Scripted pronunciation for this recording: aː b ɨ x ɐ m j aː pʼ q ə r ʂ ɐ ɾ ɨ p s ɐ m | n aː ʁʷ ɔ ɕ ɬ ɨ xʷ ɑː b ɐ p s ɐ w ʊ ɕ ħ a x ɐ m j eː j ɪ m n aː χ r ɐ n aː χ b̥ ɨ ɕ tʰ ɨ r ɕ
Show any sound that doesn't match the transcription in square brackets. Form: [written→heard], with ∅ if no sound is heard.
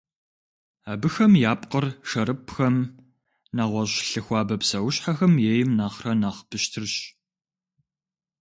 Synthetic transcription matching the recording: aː b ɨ x ɐ m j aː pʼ q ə r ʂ ɐ ɾ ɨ p [s→x] ɐ m | n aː ʁʷ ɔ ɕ ɬ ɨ xʷ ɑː b ɐ p s ɐ w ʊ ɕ ħ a x ɐ m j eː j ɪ m n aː χ r ɐ n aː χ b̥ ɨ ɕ tʰ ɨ r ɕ